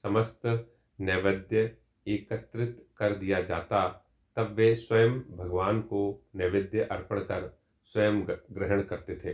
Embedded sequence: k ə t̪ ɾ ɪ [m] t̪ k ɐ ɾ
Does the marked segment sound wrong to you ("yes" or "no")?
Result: yes